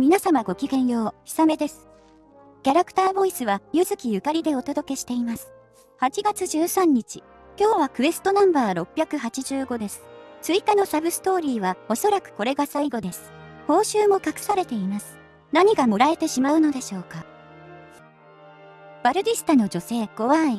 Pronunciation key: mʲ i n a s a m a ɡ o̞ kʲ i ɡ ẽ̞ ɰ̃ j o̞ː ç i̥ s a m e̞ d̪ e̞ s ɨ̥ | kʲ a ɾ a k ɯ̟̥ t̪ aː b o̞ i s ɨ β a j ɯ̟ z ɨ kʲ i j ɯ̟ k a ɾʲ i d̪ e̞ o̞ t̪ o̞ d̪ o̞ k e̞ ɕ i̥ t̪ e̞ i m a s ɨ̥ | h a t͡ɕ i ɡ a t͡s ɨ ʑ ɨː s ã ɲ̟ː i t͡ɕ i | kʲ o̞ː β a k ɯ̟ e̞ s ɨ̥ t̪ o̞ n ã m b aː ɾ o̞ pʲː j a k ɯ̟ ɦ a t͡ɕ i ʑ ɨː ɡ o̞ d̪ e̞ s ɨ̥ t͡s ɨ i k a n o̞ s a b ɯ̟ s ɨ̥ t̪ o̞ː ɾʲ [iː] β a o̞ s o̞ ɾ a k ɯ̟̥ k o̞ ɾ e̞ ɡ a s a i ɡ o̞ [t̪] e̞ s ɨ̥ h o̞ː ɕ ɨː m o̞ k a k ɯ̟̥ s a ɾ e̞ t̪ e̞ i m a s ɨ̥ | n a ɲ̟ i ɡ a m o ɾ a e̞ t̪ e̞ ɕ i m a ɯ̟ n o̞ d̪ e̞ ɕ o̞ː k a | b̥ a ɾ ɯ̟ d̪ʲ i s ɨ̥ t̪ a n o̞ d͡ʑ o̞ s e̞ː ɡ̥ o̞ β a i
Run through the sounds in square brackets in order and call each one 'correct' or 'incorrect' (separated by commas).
correct, incorrect